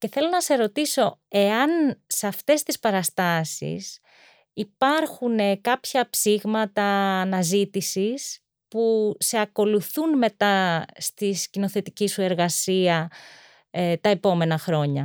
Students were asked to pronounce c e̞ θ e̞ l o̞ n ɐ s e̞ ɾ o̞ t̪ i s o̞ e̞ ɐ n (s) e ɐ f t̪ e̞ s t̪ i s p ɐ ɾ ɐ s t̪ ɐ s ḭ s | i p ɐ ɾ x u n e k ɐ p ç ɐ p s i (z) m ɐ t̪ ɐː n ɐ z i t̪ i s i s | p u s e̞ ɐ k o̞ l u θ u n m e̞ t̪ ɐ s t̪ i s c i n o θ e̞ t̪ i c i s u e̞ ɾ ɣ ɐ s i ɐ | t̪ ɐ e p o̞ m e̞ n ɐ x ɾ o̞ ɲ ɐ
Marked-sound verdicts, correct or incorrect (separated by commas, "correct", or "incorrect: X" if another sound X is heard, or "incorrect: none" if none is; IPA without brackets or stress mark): correct, incorrect: ɣ